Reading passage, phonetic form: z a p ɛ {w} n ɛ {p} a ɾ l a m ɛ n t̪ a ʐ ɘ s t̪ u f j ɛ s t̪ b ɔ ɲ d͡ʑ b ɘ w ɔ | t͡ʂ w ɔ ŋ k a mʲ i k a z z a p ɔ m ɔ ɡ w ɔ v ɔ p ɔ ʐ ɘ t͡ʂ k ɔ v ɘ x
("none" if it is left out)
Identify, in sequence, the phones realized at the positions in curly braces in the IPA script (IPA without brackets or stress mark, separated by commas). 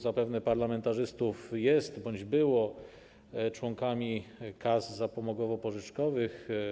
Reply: v, p